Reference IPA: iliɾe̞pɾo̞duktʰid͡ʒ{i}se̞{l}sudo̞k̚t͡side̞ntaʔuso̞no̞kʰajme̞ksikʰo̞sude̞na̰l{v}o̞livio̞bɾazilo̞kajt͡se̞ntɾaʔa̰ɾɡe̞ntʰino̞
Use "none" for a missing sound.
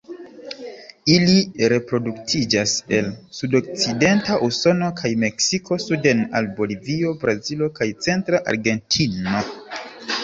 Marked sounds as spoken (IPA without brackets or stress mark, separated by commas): a, l, b